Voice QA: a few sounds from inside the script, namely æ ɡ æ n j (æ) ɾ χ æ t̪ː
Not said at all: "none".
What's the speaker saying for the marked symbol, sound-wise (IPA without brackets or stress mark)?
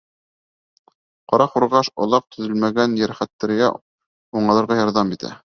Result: æ